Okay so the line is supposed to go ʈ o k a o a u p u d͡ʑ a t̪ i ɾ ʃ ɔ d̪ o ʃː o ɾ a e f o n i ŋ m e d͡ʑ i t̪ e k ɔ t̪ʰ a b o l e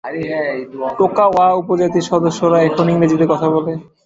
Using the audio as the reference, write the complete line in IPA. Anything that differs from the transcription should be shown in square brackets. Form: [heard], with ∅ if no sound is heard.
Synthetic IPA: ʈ o k a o a u p [o] d͡ʑ a t̪ i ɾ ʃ ɔ d̪ o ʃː o ɾ a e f o n i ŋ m e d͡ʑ i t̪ e k ɔ t̪ʰ a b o l e